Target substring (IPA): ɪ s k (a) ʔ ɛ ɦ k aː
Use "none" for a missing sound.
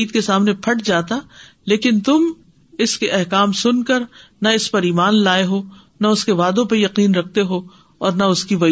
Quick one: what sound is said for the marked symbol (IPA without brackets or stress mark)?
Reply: e